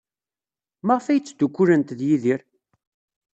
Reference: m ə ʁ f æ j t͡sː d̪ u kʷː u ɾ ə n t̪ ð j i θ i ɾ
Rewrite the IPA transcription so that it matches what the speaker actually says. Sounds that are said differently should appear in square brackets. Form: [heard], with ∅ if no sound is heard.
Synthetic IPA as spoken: m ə ʁ f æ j t͡sː d̪ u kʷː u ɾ ə n t̪ ð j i [ð] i ɾ